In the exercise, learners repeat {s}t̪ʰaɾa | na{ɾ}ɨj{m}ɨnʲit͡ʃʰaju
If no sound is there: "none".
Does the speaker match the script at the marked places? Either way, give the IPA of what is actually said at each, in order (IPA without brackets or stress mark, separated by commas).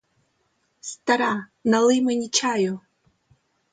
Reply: s, l, m